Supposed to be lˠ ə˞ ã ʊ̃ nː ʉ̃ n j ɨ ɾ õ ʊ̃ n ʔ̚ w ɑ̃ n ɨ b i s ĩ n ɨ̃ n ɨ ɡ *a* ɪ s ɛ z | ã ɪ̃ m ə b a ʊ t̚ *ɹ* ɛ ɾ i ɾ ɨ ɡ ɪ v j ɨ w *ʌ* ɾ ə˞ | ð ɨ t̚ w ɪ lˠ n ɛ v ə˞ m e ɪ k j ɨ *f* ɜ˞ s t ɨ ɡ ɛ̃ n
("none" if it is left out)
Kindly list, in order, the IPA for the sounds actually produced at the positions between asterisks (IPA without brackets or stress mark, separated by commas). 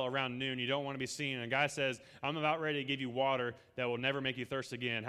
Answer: a, ɹ, ɔ, θ